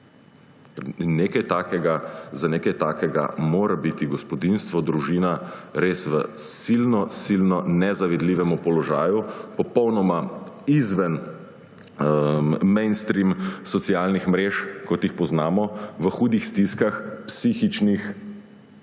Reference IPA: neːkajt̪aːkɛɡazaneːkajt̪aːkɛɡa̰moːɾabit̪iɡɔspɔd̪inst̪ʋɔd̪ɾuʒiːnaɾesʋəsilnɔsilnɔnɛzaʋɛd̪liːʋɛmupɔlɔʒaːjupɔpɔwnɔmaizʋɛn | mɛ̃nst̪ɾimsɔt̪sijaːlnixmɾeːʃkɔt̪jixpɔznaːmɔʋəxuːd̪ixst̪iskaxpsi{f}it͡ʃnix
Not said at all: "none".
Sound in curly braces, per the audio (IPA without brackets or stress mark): x